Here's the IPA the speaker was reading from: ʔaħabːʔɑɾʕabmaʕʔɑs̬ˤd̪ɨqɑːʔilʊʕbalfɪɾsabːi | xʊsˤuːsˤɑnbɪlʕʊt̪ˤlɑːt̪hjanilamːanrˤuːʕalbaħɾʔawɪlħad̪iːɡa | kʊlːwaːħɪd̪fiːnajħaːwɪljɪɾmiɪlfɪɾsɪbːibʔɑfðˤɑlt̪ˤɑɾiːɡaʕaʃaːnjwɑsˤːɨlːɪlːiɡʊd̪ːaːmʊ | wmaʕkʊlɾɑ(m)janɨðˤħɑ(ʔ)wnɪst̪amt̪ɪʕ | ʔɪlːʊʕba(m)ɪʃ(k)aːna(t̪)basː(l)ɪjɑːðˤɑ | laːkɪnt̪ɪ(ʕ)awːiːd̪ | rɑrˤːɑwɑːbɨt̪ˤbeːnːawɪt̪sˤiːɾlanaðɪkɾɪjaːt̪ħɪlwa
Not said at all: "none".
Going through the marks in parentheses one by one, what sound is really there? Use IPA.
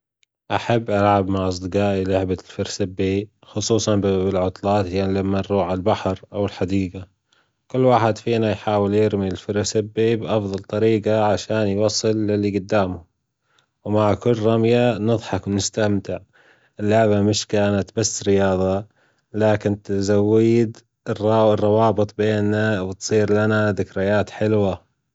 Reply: m, k, m, k, t̪, ɾ, z

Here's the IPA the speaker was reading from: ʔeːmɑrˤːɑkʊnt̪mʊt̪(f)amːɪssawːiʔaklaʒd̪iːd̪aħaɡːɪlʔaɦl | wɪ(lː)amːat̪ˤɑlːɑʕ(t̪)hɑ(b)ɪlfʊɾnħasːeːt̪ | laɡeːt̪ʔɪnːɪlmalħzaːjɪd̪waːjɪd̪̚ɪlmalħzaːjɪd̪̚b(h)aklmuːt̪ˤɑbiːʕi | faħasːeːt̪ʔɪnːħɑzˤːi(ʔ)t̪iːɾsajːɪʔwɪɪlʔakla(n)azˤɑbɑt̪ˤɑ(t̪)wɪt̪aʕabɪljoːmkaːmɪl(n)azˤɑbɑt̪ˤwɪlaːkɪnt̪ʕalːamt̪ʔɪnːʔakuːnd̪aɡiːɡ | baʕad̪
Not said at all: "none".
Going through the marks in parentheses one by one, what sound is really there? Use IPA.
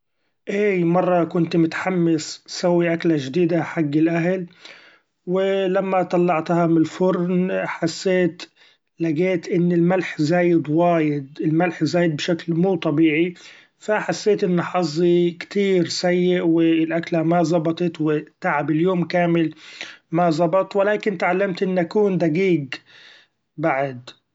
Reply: ħ, l, t̪, m, ʃ, k, m, t̪, m

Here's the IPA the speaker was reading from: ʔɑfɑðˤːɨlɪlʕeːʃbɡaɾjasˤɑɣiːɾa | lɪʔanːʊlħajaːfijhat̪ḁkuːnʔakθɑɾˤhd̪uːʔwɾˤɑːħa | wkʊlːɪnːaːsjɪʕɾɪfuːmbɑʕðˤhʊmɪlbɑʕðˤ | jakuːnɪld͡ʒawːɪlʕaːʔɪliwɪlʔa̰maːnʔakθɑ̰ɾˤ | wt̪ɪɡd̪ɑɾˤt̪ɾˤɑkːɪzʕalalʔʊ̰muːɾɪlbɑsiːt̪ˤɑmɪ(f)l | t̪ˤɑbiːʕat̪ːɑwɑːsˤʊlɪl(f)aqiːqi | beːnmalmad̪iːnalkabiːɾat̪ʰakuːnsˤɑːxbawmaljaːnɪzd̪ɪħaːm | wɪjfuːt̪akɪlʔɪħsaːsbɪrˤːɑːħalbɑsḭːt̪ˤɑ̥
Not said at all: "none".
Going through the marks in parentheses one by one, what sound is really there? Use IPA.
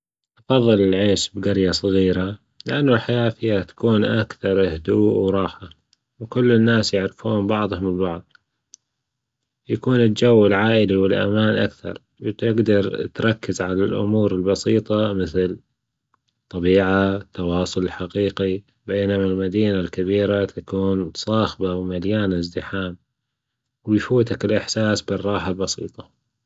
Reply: θ, ħ

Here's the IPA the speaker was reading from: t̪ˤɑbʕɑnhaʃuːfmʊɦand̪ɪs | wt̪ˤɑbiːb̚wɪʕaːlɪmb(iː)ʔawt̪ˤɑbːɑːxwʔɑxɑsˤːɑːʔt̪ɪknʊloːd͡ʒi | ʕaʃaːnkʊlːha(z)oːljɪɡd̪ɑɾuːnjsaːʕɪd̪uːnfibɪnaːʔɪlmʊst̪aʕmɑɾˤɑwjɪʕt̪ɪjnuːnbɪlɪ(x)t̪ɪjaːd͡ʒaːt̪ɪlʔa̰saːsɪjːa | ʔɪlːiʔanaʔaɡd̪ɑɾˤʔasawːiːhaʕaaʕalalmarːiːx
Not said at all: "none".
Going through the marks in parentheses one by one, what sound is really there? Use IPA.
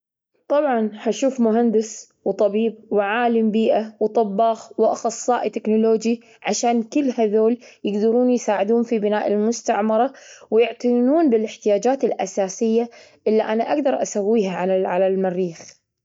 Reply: iː, ð, ħ

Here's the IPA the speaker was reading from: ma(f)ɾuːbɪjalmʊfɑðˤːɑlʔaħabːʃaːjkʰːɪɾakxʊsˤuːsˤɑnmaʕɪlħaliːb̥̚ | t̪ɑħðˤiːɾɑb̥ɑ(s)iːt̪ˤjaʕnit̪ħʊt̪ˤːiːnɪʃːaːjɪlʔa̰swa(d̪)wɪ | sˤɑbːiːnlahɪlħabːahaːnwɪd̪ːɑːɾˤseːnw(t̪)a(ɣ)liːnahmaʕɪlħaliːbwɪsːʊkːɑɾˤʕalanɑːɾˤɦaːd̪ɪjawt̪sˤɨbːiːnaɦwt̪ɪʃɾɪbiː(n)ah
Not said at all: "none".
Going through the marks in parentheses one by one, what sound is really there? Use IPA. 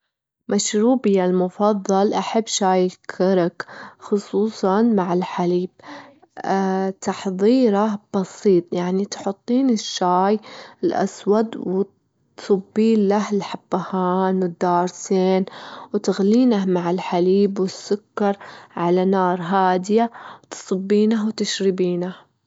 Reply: ʃ, s, d̪, t̪, ɣ, n

